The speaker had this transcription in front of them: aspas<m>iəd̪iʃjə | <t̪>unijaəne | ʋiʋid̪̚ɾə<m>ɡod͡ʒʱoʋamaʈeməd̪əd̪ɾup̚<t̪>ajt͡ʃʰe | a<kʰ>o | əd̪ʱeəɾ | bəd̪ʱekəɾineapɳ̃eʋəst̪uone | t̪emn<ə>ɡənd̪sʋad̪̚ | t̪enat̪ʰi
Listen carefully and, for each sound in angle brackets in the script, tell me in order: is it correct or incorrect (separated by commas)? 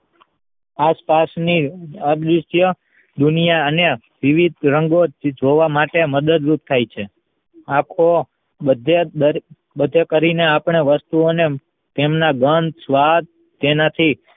incorrect, incorrect, incorrect, incorrect, correct, incorrect